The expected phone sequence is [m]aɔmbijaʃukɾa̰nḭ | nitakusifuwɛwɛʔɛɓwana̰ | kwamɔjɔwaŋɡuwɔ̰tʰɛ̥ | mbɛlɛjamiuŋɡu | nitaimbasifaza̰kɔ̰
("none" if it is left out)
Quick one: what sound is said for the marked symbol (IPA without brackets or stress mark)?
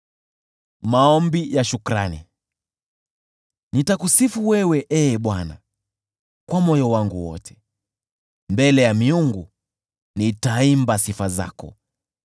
m